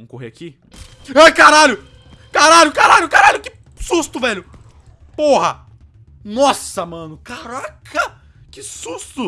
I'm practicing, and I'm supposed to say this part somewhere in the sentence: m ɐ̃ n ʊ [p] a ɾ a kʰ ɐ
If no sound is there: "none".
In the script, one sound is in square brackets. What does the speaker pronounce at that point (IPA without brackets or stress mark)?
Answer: k